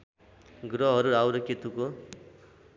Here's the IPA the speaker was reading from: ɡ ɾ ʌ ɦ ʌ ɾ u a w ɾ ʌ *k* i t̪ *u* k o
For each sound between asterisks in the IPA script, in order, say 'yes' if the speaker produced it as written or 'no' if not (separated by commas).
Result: yes, yes